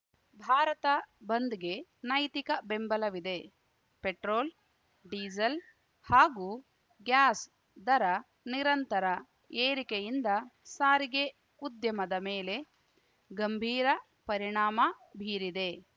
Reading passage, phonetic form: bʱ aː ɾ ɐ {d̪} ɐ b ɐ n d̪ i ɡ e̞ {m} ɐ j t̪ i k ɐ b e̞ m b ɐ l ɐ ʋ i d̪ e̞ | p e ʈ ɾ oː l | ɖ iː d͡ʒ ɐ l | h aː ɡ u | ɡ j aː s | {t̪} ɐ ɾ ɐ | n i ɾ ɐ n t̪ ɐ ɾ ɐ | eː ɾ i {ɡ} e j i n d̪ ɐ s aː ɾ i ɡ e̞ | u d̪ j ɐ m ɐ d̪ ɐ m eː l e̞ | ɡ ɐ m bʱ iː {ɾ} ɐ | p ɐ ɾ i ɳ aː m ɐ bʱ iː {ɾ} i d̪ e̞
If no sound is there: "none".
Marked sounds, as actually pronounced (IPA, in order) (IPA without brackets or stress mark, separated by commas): t̪, n, d̪, k, ɾ, ɾ